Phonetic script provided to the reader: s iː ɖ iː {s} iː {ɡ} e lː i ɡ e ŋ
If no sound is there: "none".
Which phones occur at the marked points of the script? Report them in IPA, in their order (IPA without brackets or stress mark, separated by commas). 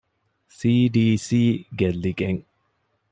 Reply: s, ɡ